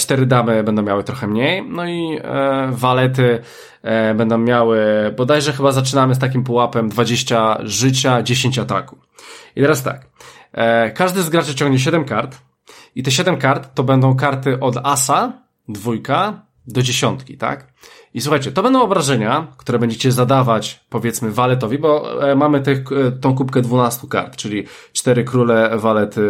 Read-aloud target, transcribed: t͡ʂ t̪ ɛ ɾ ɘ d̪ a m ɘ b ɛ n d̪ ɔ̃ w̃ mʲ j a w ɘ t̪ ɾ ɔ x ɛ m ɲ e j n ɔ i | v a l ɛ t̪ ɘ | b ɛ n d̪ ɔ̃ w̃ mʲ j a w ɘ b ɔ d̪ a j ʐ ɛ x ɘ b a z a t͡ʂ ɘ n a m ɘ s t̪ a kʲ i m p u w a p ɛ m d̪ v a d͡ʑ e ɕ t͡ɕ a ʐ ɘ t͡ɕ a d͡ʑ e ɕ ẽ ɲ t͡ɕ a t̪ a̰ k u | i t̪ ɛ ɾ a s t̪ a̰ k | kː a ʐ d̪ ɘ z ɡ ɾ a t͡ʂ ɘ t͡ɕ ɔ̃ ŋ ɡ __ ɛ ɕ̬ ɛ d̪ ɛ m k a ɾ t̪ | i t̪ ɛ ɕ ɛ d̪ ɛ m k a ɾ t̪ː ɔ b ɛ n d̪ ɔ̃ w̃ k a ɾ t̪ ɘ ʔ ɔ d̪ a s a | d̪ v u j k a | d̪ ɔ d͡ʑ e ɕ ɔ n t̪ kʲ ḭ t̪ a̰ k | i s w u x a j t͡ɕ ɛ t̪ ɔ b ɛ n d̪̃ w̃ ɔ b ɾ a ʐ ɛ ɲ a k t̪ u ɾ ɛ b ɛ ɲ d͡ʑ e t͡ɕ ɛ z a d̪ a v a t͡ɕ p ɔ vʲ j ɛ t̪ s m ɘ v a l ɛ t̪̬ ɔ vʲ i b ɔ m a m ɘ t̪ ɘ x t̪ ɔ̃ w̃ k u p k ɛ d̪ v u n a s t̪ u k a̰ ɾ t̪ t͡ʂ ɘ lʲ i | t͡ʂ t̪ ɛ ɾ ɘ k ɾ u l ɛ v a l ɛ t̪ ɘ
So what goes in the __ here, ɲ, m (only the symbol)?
ɲ